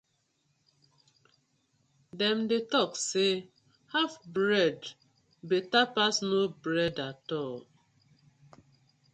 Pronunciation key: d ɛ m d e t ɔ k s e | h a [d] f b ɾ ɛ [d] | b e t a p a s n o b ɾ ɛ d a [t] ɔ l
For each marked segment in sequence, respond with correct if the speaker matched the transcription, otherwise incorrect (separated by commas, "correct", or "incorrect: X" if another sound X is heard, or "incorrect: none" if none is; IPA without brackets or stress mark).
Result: incorrect: none, correct, correct